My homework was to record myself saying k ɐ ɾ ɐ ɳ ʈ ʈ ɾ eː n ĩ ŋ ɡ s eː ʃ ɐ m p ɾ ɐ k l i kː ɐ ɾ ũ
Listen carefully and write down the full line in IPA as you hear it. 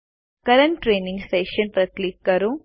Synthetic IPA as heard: k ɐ ɾ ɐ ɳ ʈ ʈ ɾ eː n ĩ ŋ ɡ s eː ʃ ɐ n p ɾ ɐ k l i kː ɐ ɾ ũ

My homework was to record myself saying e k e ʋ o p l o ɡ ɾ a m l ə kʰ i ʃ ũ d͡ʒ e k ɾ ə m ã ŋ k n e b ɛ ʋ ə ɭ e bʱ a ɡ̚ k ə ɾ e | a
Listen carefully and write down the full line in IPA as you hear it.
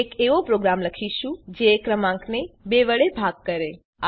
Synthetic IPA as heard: e k e ʋ o p ɾ o ɡ ɾ a m l ə kʰ i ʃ ũ d͡ʒ e k ɾ ə m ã ŋ k n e b e ʋ ə ɭ e bʱ a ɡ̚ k ə ɾ e | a

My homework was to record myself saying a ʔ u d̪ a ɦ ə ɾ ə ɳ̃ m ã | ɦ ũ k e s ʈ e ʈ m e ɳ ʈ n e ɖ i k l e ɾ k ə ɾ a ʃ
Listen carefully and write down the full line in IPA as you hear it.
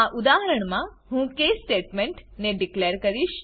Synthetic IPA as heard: a ʔ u d̪ a ɦ ə ɾ ə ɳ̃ m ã | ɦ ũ k e s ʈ e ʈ m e ɳ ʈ n e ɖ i k l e ɾ k ə ɾ i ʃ

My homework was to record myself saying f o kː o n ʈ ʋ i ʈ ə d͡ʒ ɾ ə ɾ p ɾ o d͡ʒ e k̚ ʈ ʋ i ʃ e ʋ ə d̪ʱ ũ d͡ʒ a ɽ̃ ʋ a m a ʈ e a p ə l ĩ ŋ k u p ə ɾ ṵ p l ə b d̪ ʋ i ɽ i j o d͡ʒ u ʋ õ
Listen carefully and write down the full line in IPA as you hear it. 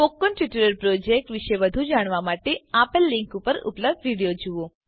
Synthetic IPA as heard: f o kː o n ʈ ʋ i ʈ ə ɾ ə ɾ p ɾ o d͡ʒ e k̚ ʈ ʋ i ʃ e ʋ ə d̪ʱ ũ d͡ʒ a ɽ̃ ʋ a m a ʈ e a p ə lː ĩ ŋ k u p ə ɾ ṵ p l ə b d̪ ʋ i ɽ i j o d͡ʒ u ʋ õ

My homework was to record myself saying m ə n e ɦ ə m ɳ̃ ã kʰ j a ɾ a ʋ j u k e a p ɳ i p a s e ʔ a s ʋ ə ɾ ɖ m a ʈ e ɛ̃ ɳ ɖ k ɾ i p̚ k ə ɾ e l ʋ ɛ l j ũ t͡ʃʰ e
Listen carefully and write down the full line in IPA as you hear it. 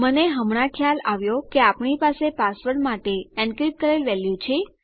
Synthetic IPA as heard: m ə n e ɦ ə m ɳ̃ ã kʰ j a l a ʋ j o k e a p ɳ i p a s e p a s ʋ ə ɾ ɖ m a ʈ e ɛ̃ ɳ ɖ k ɾ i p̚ k ə ɾ e l ʋ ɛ l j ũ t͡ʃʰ e

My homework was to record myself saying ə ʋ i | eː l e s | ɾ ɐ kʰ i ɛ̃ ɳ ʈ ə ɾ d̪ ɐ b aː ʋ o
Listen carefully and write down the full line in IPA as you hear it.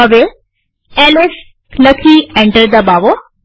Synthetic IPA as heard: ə ʋ e | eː l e s | l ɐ kʰ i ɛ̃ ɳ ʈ ə ɾ d̪ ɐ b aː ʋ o

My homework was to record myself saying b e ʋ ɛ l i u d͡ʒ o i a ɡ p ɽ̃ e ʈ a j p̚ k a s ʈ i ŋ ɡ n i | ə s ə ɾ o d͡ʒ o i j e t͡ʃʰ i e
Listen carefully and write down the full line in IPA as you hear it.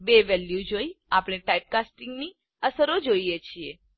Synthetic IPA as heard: b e ʋ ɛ l j u d͡ʒ o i a p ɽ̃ e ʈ a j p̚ k a s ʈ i ŋ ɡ n i | ə s ə ɾ o d͡ʒ o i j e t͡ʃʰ i e

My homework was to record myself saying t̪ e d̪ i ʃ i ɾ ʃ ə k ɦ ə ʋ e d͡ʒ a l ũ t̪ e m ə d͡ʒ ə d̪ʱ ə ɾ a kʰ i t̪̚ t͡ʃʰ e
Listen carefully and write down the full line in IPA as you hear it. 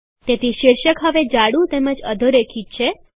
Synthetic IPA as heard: t̪ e t̪ i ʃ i ɾ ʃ ə k ɦ ə ʋ e d͡ʒ a ɽ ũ t̪ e m ə d͡ʒ ə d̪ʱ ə ɾ e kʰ i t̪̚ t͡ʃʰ e

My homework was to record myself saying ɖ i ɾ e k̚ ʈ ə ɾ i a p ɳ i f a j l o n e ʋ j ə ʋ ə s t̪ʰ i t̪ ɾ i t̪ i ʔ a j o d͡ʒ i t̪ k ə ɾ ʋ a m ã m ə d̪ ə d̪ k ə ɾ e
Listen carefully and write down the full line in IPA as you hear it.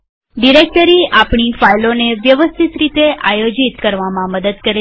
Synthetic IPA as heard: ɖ i ɾ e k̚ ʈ ə ɾ i a p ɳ i f a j l o n e ʋ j ə ʋ ə s t̪ʰ i t̪ ɾ i t̪ e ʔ a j o d͡ʒ i t̪ k ə ɾ ʋ a m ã m ə d̪ ə d̪ k ə ɾ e

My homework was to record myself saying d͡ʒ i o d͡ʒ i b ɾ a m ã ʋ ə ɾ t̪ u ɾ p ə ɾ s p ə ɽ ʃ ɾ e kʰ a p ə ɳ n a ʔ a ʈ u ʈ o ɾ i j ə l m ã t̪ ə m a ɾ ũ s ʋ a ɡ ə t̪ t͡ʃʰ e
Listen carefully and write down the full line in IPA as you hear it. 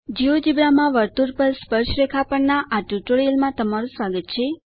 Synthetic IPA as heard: d͡ʒ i o d͡ʒ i b ɾ a m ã ʋ ə ɾ t̪ u ɾ p ə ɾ s p ə ɾ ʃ ɾ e kʰ a p ə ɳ n a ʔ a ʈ u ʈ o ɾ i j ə l m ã t̪ ə m a ɾ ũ s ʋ a ɡ ə t̪ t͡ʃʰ e

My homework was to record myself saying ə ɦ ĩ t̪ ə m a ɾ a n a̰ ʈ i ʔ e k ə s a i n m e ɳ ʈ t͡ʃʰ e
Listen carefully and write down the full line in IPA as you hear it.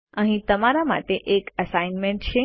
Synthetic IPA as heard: ə ɦ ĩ t̪ ə m a ɾ a m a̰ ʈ e ʔ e k ə s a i n m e ɳ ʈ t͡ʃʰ e

